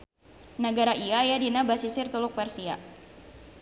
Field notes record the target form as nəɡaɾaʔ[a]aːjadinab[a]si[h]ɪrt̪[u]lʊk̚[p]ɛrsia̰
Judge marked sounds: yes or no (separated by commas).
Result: no, yes, no, yes, yes